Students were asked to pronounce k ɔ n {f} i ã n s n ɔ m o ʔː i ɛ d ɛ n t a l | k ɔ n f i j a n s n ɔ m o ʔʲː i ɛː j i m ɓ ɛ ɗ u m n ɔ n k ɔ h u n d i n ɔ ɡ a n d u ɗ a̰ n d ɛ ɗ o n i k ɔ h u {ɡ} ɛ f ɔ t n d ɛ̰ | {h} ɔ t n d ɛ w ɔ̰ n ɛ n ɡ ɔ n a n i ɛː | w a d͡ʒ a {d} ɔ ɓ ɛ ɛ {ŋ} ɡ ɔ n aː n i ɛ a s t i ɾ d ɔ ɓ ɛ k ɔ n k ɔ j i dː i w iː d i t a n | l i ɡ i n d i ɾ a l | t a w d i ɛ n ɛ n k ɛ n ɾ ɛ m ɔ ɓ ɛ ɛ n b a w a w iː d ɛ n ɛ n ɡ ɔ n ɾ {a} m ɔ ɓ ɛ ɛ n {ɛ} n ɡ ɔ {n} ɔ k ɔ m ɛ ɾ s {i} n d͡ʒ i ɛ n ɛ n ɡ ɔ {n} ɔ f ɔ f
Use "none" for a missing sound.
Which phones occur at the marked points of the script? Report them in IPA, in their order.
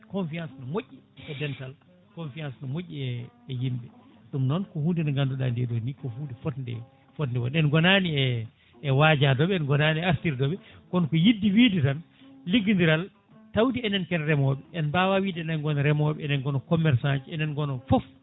f, d, f, d, n, ɛ, ɛ, n, a, n

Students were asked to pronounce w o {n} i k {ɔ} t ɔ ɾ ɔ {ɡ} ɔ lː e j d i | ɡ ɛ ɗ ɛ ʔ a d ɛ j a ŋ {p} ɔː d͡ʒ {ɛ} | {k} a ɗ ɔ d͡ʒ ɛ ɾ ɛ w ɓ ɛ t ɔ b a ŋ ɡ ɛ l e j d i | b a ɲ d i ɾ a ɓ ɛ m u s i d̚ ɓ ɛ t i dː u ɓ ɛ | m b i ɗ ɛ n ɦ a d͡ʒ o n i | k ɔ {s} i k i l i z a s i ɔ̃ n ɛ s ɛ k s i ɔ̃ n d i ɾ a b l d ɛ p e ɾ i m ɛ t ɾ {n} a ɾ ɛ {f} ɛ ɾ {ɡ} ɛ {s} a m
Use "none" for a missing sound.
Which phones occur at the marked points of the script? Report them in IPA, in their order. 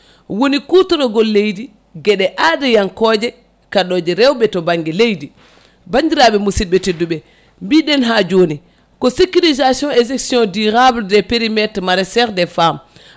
n, u, ɡ, k, ɛ, k, s, m, s, d, f

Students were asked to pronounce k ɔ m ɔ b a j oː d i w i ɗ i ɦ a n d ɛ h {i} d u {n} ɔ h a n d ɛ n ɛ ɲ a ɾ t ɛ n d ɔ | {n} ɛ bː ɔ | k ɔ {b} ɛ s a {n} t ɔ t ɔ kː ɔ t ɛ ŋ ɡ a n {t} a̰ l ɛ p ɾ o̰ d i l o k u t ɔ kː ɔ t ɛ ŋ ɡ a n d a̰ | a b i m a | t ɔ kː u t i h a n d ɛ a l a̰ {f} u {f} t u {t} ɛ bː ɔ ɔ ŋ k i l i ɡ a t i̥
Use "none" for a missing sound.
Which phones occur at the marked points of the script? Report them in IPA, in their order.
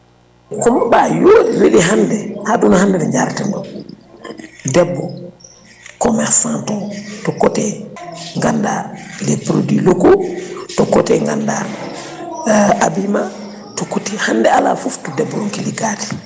a, n, d, m, n, d, f, f, d

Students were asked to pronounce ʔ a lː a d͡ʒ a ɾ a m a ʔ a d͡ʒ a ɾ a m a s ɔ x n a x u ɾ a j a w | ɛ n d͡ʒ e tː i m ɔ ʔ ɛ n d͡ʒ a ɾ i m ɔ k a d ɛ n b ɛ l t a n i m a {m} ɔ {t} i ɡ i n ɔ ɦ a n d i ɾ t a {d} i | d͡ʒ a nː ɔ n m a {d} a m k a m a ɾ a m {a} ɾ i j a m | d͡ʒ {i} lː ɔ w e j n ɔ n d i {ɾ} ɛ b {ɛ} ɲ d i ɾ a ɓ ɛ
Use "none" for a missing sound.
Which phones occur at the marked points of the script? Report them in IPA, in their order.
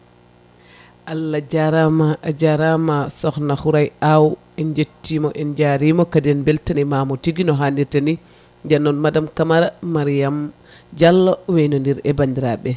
m, t, n, d, a, a, ɾ, a

